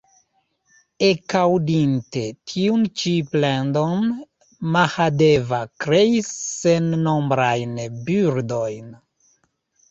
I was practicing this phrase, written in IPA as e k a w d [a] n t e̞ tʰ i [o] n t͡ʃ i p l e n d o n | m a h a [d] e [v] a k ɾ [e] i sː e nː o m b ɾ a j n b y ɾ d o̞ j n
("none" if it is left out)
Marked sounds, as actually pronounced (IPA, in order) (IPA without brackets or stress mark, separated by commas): i, u, d, v, e